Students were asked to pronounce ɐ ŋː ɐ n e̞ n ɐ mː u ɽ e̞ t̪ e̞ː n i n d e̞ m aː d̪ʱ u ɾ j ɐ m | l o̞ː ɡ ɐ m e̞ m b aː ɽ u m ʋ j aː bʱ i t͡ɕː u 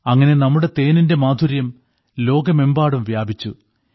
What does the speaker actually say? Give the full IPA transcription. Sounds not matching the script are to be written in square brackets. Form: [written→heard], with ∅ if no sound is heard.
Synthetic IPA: ɐ ŋː ɐ n e̞ n ɐ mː u ɽ e̞ t̪ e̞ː n i n d e̞ m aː d̪ʱ u ɾ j ɐ m | l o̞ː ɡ ɐ m e̞ m b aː ɽ u m ʋ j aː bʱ i t͡ɕː u